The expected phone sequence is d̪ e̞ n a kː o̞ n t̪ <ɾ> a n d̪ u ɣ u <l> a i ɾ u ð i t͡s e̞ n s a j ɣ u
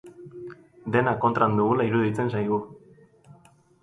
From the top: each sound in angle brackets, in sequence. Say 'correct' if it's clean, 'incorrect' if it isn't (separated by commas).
correct, correct